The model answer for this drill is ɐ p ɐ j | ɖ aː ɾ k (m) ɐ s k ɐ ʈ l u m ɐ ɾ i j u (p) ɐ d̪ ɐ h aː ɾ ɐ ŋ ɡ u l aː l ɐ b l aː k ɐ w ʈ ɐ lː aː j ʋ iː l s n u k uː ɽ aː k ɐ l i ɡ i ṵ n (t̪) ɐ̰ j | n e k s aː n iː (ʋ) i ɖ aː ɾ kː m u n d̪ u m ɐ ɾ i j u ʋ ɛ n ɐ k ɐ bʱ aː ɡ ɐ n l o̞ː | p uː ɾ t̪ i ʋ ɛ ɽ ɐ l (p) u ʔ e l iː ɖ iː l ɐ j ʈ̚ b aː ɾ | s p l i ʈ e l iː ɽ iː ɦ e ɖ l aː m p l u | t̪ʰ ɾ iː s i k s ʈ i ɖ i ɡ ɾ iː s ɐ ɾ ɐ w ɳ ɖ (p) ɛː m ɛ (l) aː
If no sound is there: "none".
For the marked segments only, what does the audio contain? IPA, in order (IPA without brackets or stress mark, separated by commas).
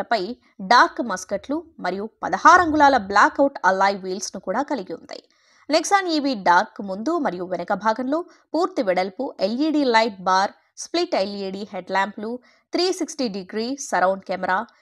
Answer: m, p, d̪, ʋ, p, k, ɾ